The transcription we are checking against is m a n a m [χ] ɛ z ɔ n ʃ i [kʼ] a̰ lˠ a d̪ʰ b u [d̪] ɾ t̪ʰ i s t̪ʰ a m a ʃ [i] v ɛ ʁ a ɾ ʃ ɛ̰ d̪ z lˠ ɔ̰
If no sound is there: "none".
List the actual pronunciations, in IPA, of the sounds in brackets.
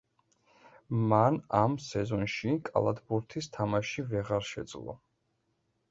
s, kʼ, none, i

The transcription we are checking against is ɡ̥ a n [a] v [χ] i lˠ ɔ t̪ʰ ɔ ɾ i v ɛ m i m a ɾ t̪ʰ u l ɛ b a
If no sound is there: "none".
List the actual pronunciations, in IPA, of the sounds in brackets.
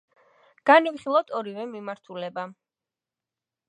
i, χ

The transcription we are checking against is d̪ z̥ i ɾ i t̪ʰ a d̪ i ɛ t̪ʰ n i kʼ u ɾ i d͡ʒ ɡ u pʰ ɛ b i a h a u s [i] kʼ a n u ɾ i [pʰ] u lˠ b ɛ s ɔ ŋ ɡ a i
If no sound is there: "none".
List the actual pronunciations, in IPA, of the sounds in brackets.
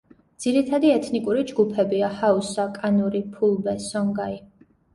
a, pʰ

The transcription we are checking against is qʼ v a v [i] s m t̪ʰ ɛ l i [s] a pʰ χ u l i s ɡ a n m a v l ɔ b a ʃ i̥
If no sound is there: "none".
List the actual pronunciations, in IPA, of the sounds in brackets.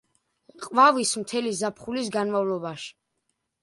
i, z

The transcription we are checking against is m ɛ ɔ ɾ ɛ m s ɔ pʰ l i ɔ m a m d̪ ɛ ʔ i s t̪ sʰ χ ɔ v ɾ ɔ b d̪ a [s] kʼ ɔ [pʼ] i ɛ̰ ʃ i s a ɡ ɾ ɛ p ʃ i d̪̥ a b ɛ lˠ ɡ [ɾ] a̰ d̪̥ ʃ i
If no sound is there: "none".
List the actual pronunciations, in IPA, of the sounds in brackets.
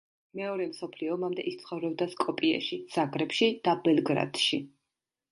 s, pʼ, ɾ

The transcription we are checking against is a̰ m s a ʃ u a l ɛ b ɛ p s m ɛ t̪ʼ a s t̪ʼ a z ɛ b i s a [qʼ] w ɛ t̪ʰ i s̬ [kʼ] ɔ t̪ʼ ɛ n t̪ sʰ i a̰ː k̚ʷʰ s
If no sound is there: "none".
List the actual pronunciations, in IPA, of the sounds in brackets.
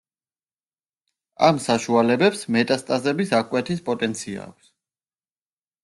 kʼ, pʼ

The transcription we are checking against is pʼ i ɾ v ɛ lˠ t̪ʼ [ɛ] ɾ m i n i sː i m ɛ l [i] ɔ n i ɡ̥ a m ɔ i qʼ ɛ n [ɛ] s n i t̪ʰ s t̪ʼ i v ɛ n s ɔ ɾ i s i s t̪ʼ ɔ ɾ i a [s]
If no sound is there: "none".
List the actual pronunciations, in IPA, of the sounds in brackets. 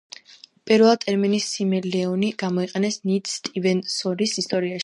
ɛ, ɛ, ɛ, ʃ

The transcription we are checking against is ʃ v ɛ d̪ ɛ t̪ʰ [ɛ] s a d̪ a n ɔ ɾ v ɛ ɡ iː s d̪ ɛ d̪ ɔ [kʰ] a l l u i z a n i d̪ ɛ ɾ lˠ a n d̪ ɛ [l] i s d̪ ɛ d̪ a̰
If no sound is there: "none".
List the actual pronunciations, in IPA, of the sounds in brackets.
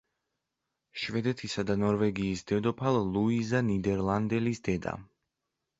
i, pʰ, l

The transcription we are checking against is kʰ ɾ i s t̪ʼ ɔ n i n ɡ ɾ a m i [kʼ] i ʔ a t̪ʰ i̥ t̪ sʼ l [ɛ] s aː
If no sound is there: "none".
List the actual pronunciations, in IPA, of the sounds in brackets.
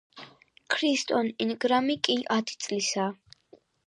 kʼ, i

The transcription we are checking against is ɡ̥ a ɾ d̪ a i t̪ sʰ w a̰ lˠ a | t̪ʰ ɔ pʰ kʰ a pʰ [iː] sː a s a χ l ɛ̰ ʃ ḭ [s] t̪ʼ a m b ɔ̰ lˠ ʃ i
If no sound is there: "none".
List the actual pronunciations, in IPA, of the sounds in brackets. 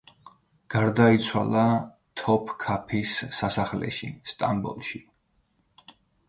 i, s

